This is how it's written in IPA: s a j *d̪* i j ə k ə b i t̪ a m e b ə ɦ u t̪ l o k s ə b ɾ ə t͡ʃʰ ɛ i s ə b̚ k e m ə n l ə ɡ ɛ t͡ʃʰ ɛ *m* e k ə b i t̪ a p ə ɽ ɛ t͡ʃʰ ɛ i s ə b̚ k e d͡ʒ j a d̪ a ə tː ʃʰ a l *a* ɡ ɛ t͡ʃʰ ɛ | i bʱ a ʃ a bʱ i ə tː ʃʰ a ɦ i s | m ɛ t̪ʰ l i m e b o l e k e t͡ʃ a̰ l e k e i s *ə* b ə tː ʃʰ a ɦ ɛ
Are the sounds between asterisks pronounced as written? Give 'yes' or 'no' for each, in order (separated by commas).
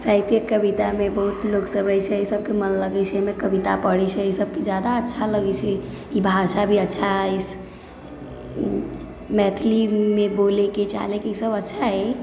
no, yes, no, yes